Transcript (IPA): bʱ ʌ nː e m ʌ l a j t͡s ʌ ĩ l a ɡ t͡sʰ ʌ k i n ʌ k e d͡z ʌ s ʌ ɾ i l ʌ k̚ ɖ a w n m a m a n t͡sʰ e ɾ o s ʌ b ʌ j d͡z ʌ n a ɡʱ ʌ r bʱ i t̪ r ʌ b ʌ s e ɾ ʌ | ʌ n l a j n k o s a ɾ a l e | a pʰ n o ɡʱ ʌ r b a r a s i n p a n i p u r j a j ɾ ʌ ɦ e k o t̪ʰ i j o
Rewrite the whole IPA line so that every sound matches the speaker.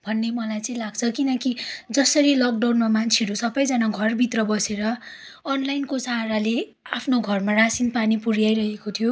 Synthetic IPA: bʱ ʌ nː e m ʌ l a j t͡s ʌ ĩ l a ɡ t͡sʰ ʌ k i n ʌ k i d͡z ʌ s ʌ ɾ i l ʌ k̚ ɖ a w n m a m a n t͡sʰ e ɾ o s ʌ b ʌ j d͡z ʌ n a ɡʱ ʌ r bʱ i t̪ r ʌ b ʌ s e ɾ ʌ | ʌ n l a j n k o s a ɾ a l e | a pʰ n o ɡʱ ʌ r m a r a s i n p a n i p u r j a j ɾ ʌ ɦ e k o t̪ʰ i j o